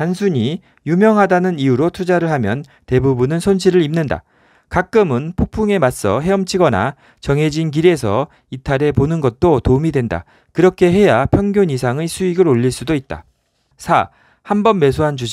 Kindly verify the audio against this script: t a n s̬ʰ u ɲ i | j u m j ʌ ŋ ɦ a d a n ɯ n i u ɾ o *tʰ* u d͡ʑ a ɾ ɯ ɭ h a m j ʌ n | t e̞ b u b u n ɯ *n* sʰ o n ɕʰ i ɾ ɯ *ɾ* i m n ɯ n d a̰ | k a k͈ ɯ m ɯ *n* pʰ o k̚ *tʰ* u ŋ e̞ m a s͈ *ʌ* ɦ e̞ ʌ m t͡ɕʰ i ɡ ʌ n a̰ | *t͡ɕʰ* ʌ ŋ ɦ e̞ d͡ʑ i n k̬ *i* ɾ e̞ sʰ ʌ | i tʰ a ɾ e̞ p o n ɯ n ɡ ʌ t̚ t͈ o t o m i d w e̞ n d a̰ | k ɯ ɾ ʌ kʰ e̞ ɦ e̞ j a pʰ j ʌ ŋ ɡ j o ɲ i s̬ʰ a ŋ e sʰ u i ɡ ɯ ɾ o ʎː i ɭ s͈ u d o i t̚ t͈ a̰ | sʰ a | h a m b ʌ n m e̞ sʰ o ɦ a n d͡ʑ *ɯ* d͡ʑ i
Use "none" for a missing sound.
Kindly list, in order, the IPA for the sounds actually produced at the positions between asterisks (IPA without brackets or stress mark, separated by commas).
tʰ, n, ɾ, n, pʰ, ʌ, t͡ɕ, i, u